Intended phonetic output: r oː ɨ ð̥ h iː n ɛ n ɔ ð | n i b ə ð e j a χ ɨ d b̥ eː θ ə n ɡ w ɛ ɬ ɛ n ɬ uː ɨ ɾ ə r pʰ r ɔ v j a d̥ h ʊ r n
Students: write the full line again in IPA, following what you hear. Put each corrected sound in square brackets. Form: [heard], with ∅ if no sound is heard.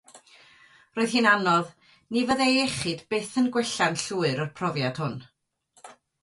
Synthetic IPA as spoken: r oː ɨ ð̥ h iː n [a] n ɔ ð | n i [v] ə ð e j [ɛ] χ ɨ d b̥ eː θ ə n ɡ w ɛ ɬ [a] n ɬ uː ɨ ɾ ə r pʰ r ɔ v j a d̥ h ʊ [∅] n